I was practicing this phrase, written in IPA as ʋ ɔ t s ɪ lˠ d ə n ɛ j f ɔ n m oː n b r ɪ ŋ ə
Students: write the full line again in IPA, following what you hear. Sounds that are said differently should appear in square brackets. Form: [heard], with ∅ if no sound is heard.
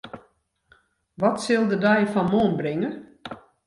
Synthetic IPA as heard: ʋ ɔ t s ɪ lˠ d ə [d] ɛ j f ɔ n m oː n b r ɪ ŋ ə